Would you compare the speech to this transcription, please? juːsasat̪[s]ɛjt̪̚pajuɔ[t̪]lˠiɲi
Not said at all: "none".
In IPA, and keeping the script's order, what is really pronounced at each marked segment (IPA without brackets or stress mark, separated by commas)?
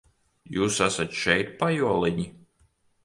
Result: ʃ, none